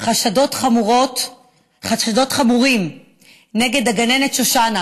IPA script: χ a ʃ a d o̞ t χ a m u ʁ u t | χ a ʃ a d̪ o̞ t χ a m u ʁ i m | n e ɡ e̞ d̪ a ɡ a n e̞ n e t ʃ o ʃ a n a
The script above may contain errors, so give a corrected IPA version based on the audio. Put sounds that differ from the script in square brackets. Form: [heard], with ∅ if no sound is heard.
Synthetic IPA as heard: χ a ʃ a d o̞ t χ a m u ʁ [o] t | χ a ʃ a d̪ o̞ t χ a m u ʁ i m | n e ɡ e̞ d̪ a ɡ a n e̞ n e t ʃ o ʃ a n a